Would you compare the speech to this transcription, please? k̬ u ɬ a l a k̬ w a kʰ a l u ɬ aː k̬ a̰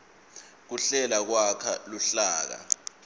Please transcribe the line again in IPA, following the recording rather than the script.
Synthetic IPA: k̬ u ɬ ɛ l a k̬ w a kʰ a l u ɬ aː k̬ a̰